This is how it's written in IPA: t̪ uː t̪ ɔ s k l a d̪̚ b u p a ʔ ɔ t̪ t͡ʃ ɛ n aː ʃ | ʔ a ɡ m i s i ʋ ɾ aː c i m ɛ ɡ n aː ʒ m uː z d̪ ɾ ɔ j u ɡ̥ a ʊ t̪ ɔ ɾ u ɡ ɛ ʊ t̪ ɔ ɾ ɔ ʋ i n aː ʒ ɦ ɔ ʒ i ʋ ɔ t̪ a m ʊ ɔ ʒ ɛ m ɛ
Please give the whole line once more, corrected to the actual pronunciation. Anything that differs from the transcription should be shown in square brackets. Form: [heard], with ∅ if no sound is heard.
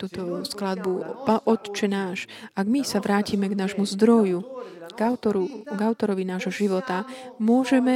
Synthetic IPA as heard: t̪ uː t̪ ɔ s k l a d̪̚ b u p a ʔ ɔ t̪ t͡ʃ ɛ n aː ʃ | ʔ a ɡ m i s [a] ʋ ɾ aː c i m ɛ ɡ n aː ʒ m [u] z d̪ ɾ ɔ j u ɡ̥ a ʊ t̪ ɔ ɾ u ɡ [a] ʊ t̪ ɔ ɾ ɔ ʋ i n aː ʒ ɦ ɔ ʒ i ʋ ɔ t̪ a m ʊ ɔ ʒ ɛ m ɛ